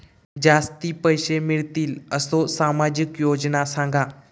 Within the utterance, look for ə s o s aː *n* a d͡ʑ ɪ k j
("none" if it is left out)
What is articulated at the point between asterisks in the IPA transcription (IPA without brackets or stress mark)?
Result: m